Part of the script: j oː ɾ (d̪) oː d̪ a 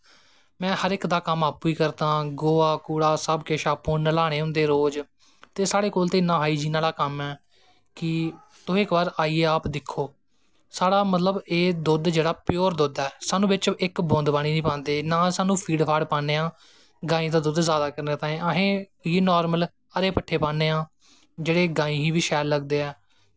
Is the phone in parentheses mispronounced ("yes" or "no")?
no